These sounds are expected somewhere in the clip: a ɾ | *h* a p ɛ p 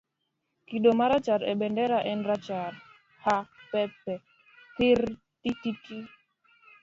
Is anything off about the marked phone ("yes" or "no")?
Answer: no